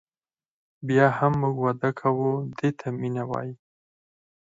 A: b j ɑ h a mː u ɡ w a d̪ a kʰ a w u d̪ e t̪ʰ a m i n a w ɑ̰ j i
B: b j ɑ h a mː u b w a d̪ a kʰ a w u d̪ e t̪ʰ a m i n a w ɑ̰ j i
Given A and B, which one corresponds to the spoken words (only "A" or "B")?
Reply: A